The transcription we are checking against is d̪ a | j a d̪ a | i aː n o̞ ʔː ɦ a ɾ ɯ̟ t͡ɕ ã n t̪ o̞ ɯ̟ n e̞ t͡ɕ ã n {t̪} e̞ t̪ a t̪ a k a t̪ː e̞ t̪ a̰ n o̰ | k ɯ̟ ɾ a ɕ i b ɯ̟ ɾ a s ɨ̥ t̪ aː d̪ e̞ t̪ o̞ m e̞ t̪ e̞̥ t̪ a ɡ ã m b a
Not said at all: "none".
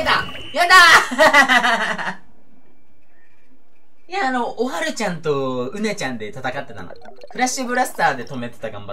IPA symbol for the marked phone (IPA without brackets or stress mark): d̪